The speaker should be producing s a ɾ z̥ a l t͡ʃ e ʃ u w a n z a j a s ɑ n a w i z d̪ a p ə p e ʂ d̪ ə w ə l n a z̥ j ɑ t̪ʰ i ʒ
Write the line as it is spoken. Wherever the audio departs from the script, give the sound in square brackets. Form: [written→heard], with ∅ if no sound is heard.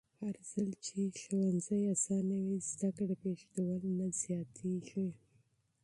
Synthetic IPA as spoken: [s→h] a ɾ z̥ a l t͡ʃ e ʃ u w a n z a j a s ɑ n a w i z d̪ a [p→k] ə p e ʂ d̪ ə w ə l n a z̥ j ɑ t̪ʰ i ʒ